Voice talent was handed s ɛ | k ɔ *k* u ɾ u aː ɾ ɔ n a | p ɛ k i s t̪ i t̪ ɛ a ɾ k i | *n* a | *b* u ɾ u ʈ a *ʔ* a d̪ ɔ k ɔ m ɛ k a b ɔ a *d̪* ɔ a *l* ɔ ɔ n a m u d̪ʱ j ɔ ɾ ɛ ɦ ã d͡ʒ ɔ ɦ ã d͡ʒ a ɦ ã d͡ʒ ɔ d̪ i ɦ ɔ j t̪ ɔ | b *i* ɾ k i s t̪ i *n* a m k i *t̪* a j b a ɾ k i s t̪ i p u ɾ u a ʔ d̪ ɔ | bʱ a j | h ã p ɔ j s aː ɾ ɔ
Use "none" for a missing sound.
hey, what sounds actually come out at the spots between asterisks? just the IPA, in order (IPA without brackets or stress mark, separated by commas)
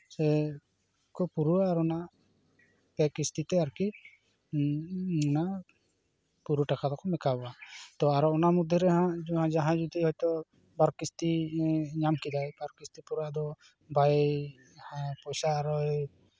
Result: p, n, p, k, t̪, ɾ, a, ɲ, d̪